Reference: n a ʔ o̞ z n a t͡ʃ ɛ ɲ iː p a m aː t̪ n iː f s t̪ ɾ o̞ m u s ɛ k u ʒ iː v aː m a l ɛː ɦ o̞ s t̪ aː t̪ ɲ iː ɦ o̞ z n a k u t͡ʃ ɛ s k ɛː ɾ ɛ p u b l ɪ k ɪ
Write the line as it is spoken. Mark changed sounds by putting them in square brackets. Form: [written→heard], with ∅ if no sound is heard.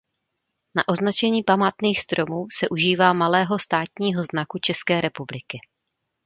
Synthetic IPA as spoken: n a ʔ o̞ z n a t͡ʃ ɛ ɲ iː p a m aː t̪ n iː [f→x] s t̪ ɾ o̞ m [u→uː] s ɛ [k→ʔ] u ʒ iː v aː m a l ɛː ɦ o̞ s t̪ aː t̪ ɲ iː ɦ o̞ z n a k u t͡ʃ ɛ s k ɛː ɾ ɛ p u b l ɪ k ɪ